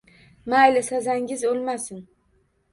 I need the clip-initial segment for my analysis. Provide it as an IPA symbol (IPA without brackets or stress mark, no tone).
m